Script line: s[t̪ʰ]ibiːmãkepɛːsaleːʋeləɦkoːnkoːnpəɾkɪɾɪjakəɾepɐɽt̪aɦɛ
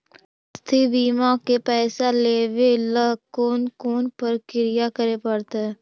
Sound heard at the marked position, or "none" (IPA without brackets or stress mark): t̪ʰ